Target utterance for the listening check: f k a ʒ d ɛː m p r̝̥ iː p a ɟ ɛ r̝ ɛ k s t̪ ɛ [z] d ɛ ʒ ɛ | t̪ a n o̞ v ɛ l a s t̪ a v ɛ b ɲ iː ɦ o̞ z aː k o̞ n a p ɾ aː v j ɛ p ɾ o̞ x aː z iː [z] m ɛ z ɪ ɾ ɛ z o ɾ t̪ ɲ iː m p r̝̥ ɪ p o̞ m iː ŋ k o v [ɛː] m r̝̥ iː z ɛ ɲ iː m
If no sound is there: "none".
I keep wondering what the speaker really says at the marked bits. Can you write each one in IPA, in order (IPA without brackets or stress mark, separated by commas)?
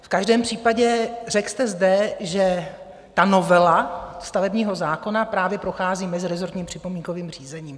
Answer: z, none, iː